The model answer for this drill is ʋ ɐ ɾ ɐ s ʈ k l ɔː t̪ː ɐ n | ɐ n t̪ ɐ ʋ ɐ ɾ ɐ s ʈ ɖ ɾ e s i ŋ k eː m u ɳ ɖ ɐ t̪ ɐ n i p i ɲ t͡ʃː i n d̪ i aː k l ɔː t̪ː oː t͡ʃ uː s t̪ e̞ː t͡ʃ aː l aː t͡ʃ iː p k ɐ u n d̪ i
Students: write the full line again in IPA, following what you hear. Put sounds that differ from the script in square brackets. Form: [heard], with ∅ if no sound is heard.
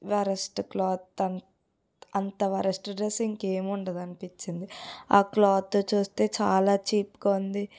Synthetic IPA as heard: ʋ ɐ ɾ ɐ s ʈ k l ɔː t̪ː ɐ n | ɐ n t̪ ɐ ʋ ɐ ɾ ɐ s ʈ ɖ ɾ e s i ŋ k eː m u ɳ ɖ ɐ [d̪] ɐ n i p i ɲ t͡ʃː i n d̪ i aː k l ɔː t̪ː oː t͡ʃ uː s t̪ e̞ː t͡ʃ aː l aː t͡ʃ iː p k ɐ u n d̪ i